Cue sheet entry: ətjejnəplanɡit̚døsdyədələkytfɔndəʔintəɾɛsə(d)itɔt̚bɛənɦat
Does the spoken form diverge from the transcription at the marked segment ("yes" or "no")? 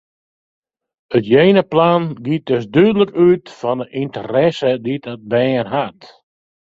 no